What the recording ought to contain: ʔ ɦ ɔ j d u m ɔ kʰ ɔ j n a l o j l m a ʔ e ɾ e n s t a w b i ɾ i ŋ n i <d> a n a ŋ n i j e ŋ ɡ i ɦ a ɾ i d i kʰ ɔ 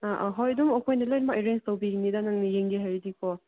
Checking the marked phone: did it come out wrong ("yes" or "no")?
no